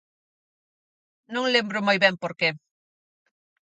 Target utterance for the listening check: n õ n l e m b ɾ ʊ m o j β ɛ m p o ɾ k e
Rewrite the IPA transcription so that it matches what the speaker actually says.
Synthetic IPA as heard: n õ ŋ l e m b ɾ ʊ m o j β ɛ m p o ɾ k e